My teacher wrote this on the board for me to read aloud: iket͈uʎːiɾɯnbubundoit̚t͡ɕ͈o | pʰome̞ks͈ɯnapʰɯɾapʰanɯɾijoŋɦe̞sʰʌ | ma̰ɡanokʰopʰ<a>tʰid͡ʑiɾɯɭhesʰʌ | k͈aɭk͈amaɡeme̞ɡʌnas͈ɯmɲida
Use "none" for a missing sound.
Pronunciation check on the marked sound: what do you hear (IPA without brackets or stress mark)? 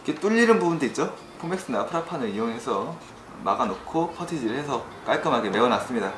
ʌ